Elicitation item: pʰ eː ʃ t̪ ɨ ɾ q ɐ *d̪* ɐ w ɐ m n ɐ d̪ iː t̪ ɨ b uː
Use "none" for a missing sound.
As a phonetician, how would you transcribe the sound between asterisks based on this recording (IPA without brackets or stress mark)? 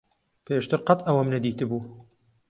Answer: t̪